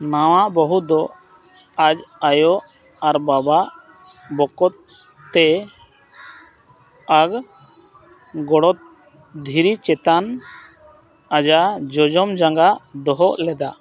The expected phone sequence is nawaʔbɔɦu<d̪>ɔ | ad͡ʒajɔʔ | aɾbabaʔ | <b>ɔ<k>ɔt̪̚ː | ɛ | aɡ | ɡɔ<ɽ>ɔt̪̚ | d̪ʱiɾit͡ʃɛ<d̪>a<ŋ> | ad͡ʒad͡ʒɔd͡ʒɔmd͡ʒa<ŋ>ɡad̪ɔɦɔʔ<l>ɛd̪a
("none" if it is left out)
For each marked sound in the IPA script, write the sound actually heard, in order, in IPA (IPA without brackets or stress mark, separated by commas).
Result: d̪, b, k, ɽ, t̪, n, ŋ, l